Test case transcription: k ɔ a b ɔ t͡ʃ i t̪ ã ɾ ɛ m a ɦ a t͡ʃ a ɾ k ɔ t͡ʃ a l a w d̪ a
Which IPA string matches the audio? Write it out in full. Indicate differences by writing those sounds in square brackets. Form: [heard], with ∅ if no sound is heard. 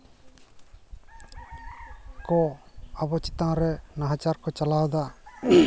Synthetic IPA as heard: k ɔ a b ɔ t͡ʃ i t̪ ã ɾ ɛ [n] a ɦ a t͡ʃ a ɾ k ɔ t͡ʃ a l a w d̪ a